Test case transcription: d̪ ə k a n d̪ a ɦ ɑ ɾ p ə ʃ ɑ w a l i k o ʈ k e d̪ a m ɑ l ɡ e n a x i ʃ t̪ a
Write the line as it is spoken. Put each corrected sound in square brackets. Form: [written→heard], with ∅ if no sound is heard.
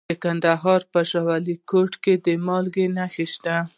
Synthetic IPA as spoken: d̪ ə k a n d̪ a ɦ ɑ ɾ p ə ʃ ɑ w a l i k o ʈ k e d̪ [a→ə] m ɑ l ɡ e n a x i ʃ t̪ a